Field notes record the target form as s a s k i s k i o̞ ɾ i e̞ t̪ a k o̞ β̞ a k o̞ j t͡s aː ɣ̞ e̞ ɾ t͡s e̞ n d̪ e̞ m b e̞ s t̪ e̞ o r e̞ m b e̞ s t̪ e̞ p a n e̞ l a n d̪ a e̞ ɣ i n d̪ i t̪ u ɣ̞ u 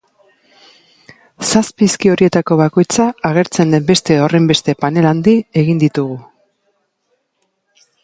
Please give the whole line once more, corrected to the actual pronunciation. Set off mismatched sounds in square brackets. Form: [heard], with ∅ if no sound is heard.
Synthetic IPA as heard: s a s [p] i s k i o̞ ɾ i e̞ t̪ a k o̞ β̞ a k o̞ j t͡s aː ɣ̞ e̞ ɾ t͡s e̞ n d̪ e̞ m b e̞ s t̪ e̞ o r e̞ m b e̞ s t̪ e̞ p a n e̞ l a n d̪ [i] e̞ ɣ i n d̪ i t̪ u ɣ̞ u